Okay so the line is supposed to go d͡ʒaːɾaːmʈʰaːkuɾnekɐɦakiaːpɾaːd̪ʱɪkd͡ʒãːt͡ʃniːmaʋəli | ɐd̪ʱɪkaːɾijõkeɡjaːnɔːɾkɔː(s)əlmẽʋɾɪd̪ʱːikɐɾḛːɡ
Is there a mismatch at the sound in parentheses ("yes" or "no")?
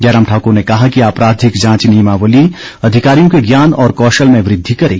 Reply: yes